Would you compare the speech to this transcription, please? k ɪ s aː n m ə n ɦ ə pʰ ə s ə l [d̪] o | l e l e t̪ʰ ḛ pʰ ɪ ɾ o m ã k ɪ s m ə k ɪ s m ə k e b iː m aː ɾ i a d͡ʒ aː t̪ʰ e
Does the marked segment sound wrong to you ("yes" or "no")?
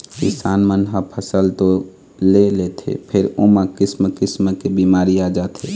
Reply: yes